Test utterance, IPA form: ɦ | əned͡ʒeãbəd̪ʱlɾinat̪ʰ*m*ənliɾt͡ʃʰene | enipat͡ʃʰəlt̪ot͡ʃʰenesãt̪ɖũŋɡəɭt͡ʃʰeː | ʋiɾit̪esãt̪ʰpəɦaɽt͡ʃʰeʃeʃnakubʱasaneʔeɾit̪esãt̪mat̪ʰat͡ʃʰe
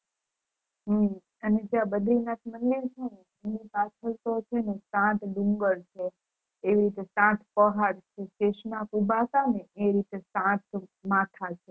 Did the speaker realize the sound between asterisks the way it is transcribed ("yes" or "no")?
yes